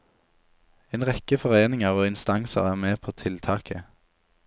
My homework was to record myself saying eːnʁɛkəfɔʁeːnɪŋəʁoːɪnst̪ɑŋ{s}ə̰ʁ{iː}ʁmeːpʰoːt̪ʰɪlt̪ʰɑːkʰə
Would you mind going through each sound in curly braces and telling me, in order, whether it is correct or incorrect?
correct, incorrect: æː

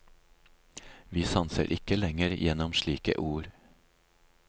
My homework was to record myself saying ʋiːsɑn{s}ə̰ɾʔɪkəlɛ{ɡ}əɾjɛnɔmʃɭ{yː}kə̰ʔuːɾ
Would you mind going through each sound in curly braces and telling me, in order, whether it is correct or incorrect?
correct, incorrect: ŋ, incorrect: iː

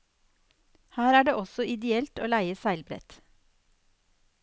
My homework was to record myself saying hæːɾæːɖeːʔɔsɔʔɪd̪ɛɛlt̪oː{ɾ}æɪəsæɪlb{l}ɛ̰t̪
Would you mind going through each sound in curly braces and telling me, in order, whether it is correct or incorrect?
incorrect: l, incorrect: ɾ

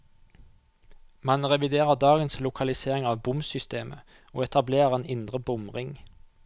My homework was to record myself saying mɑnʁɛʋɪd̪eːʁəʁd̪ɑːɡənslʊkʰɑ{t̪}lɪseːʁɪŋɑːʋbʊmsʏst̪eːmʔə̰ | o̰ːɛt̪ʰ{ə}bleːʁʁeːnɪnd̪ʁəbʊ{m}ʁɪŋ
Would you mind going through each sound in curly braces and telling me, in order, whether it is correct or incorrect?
incorrect: none, incorrect: ɑ, correct

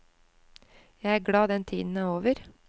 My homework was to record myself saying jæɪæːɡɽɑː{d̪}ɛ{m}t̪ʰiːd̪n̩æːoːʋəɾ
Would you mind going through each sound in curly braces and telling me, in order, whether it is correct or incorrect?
correct, incorrect: n

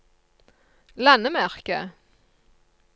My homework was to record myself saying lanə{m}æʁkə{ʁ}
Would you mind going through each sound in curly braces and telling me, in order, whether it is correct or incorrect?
correct, incorrect: none

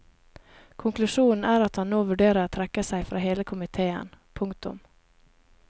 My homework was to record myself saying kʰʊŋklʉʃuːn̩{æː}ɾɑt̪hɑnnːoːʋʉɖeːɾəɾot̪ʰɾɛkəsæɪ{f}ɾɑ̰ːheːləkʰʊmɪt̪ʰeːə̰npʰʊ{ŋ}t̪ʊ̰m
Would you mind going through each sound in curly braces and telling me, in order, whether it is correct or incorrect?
correct, correct, correct

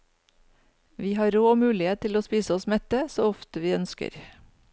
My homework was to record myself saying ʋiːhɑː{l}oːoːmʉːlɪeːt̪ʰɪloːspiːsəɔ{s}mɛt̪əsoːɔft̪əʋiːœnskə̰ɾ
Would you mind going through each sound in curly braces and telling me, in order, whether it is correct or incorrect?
incorrect: ɾ, correct

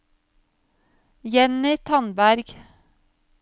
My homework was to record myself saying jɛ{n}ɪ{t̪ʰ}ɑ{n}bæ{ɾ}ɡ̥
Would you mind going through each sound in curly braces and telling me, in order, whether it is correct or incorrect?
correct, correct, correct, correct

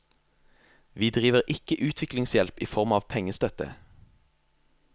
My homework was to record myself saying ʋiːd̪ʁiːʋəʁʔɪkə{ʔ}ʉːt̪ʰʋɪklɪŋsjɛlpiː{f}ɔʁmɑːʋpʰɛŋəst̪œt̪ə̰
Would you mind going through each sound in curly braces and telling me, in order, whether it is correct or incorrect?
correct, correct

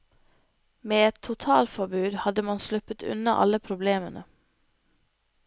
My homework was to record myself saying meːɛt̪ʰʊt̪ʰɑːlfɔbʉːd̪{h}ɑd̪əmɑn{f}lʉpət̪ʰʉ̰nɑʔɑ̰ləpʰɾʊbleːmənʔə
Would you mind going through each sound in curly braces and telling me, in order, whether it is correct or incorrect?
correct, incorrect: s

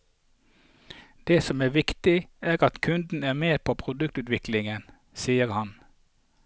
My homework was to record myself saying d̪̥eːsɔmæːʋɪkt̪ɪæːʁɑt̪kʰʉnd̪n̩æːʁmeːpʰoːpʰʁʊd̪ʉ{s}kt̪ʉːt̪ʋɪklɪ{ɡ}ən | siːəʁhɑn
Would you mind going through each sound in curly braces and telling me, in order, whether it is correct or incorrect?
incorrect: none, incorrect: ŋ

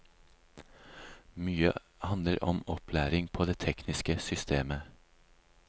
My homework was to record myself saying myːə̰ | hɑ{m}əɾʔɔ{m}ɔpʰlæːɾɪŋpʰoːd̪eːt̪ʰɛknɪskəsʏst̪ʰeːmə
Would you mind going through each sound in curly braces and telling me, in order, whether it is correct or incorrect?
incorrect: n, correct

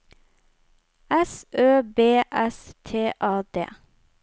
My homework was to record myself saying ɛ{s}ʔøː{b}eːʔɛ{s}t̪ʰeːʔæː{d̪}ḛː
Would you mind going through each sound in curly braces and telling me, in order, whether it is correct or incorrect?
correct, correct, correct, correct

